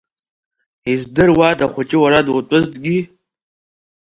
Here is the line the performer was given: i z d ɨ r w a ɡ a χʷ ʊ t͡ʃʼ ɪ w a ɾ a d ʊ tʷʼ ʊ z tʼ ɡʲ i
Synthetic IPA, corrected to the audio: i z d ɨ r w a d a χʷ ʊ t͡ʃʼ ɪ w a ɾ a d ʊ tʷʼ ʊ z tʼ ɡʲ i